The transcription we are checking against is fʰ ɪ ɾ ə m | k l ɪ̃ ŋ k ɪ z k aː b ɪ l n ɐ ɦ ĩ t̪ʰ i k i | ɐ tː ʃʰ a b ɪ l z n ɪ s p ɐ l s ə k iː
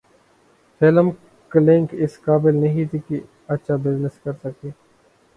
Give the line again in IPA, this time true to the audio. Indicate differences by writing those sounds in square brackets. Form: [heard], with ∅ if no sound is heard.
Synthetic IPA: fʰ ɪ [l] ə m | k l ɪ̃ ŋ k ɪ [s] k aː b ɪ l n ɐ ɦ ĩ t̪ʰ i k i | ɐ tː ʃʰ a b ɪ [∅] z n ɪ s [k] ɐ [ɾ] s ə k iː